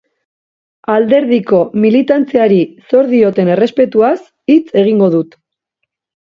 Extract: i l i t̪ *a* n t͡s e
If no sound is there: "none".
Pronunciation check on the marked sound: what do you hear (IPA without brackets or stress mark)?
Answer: a